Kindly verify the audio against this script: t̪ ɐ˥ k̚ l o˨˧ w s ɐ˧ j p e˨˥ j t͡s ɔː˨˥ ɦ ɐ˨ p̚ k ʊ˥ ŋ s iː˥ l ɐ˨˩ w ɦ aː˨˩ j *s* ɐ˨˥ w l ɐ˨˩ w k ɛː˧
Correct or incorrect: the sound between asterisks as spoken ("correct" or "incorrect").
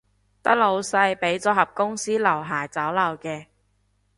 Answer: incorrect